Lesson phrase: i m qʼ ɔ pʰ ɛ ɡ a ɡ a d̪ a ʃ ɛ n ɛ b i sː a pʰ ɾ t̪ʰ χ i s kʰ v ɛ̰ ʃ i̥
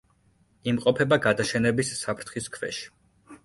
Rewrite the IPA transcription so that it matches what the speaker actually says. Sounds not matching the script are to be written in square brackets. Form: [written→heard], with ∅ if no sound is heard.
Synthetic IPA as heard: i m qʼ ɔ pʰ ɛ [ɡ→b] a ɡ a d̪ a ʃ ɛ n ɛ b i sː a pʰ ɾ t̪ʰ χ i s kʰ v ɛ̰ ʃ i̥